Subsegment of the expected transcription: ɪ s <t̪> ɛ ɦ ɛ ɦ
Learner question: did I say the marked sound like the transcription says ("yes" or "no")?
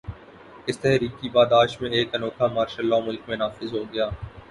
yes